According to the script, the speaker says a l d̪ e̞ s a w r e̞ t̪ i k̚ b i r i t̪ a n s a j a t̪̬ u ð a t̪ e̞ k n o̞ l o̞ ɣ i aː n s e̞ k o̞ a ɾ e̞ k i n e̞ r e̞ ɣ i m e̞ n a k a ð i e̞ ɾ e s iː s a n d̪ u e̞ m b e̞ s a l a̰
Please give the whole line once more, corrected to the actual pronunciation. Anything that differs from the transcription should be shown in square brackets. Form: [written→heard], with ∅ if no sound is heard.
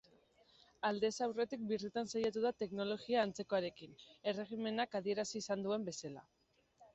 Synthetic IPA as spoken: a l d̪ e̞ s a w r e̞ t̪ i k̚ b i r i t̪ a n s a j a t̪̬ u ð a t̪ e̞ k n o̞ l o̞ ɣ i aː n [s→t͡s] e̞ k o̞ a ɾ e̞ k i n e̞ r e̞ ɣ i m e̞ n a k a ð i e̞ ɾ [e→a] s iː s a n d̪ u e̞ m b e̞ s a l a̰